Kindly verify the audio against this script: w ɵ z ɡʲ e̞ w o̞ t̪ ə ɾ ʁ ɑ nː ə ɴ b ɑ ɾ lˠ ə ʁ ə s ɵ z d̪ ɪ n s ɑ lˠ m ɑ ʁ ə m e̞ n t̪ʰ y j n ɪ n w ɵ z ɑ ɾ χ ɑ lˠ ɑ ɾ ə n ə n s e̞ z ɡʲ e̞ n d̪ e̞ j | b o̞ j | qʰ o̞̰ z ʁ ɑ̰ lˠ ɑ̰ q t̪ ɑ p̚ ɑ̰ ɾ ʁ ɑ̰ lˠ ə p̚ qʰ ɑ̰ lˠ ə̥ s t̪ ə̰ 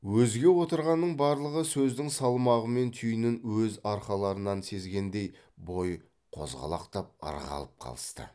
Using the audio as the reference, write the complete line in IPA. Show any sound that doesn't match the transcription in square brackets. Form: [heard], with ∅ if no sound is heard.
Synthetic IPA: w ɵ z ɡʲ e̞ w o̞ t̪ ə ɾ ʁ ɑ nː ə ɴ b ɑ ɾ lˠ ə ʁ ə s ɵ z d̪ ɪ [ŋ] s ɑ lˠ m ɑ ʁ ə m e̞ n t̪ʰ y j n ɪ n w ɵ z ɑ ɾ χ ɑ lˠ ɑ ɾ ə n [ɑ] n s e̞ z ɡʲ e̞ n d̪ e̞ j | b o̞ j | qʰ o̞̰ z ʁ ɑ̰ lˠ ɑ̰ q t̪ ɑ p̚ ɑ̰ ɾ ʁ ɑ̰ lˠ ə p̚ qʰ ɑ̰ lˠ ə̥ s t̪ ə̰

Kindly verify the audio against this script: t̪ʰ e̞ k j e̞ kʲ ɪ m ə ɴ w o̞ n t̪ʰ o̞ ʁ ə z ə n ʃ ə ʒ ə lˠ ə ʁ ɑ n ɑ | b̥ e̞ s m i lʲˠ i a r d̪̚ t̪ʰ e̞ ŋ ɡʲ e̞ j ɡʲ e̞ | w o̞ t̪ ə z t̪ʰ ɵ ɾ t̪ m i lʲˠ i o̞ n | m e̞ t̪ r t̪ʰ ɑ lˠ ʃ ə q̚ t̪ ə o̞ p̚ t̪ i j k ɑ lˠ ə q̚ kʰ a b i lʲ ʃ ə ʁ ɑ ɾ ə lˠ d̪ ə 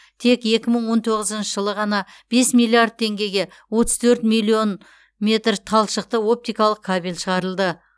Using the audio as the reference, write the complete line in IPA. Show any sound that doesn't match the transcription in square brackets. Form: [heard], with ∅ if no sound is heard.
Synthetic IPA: t̪ʰ e̞ k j e̞ kʲ ɪ m ə ɴ w o̞ n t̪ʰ o̞ ʁ ə z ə n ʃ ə ʒ ə lˠ ə ʁ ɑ n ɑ | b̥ e̞ s m i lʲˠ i a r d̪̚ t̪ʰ e̞ ŋ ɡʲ e̞ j ɡʲ e̞ | w o̞ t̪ ə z t̪ʰ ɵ ɾ t̪ m i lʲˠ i o̞ n | m e̞ t̪ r t̪ʰ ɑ lˠ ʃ ə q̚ t̪ ə o̞ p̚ t̪ i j k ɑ lˠ ə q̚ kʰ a b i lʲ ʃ ə ʁ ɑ ɾ ə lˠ d̪ ə

